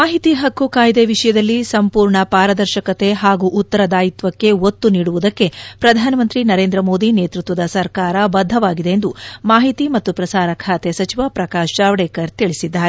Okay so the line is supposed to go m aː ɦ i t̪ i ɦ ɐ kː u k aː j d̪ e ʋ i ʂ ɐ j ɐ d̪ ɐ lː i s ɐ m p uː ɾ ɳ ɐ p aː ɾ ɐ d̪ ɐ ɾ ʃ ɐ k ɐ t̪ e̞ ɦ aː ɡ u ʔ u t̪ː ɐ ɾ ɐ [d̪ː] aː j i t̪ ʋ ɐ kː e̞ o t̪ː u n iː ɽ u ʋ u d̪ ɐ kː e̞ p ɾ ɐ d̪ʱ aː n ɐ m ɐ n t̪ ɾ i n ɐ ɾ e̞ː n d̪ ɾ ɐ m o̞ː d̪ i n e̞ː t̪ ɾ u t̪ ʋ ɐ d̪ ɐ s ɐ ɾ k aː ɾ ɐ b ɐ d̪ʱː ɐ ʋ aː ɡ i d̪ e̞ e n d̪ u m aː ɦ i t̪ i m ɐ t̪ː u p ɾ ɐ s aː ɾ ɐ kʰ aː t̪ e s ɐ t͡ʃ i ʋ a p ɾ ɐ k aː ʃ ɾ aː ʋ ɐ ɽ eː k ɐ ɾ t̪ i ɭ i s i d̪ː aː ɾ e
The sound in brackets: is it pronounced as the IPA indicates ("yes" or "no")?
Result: no